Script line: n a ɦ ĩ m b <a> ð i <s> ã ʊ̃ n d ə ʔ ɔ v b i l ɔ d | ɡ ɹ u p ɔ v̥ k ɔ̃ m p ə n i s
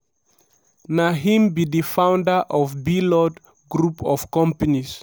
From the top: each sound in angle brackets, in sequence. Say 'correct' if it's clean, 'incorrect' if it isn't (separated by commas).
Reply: incorrect, incorrect